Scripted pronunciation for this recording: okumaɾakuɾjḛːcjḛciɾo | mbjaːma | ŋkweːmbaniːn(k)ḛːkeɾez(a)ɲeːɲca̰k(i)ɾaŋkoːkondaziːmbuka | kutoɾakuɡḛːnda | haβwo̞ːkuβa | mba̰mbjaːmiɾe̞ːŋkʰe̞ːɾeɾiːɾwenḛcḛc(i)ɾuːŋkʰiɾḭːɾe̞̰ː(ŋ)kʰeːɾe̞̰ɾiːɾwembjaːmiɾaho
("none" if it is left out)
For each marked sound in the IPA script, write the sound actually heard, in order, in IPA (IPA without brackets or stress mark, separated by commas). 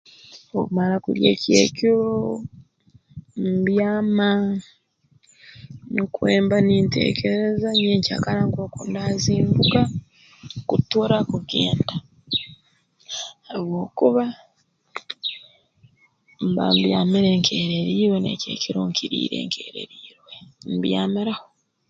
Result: t, a, a, i, ŋ